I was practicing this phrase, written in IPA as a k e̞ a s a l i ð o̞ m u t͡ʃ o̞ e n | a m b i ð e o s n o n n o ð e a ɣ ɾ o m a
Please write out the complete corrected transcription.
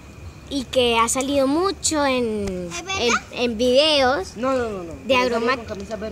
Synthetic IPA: i k e̞ a s a l i ð o̞ m u t͡ʃ o̞ e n | e m b i ð e o s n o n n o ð e a ɣ ɾ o m a